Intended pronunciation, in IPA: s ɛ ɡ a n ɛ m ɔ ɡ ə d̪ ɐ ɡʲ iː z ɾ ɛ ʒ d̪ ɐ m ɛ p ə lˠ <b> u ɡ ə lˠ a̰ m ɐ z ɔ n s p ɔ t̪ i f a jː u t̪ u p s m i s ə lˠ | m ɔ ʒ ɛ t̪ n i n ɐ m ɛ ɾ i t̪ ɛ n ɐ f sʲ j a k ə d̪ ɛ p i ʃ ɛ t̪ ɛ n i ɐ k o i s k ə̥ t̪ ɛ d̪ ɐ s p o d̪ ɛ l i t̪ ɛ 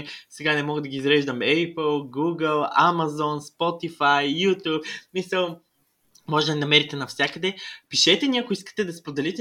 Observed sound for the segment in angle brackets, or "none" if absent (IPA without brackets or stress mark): ɡ